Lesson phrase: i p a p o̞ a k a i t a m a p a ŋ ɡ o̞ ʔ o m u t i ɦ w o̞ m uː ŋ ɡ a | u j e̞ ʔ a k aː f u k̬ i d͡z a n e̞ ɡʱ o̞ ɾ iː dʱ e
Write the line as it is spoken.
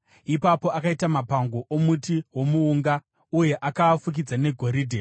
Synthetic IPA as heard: i p a p o̞ a k a i t a m a p a ŋ ɡ o̞ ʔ o m u t i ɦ w o̞ m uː ŋ ɡ a | u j e̞ ʔ a k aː f u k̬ i d͡z a n e̞ ɡʱ o̞ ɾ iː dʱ e